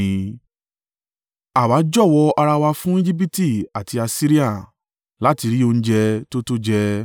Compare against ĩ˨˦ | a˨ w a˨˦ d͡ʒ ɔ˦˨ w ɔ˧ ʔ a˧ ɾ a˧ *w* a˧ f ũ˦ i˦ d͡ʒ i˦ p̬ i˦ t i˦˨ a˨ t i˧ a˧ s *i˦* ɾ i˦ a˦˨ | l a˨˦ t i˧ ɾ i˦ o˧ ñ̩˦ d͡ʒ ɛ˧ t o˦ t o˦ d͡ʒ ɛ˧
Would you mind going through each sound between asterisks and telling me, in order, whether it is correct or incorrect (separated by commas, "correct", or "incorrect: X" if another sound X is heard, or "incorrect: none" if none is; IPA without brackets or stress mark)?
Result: correct, correct